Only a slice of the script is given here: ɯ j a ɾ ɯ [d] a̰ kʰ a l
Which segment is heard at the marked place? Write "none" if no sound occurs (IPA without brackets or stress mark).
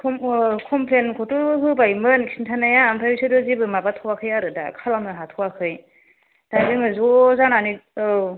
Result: d